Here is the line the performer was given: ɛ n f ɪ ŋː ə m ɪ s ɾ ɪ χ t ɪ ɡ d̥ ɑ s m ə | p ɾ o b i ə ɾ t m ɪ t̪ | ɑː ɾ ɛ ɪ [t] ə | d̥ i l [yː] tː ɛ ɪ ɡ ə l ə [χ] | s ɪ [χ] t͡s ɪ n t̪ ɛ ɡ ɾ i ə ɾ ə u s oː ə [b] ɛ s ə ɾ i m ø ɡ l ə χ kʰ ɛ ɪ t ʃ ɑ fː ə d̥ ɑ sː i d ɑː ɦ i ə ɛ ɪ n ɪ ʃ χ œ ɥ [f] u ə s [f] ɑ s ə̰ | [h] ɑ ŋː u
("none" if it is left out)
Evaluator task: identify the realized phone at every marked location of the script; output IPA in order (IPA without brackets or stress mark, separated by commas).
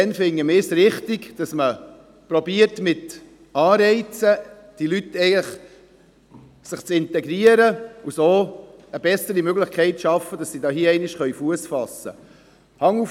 t͡s, y, χ, χ, b, f, f, h